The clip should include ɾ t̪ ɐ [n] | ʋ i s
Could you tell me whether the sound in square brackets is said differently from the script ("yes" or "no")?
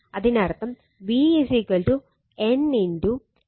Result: yes